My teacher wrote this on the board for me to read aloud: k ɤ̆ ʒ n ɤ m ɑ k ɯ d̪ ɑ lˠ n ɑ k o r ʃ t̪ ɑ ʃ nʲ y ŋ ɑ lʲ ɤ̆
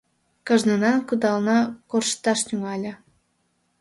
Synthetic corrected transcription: k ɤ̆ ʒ n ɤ n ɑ k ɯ d̪ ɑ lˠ n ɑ k o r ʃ t̪ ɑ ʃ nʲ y ŋ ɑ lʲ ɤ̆